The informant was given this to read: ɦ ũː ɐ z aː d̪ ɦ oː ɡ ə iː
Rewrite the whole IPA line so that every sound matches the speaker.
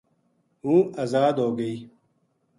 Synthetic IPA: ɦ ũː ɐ z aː d̪ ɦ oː ɡ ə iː